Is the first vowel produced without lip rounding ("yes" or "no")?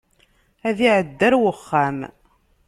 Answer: yes